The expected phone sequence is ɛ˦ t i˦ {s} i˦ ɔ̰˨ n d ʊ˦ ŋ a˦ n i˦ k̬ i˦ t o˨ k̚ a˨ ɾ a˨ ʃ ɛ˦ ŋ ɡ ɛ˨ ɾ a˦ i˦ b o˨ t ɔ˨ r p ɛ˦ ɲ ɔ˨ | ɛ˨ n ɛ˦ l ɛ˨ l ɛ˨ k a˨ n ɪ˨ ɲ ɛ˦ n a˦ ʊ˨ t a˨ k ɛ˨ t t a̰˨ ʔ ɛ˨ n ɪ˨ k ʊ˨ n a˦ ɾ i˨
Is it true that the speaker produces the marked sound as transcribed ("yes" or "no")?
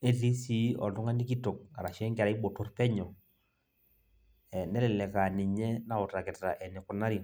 yes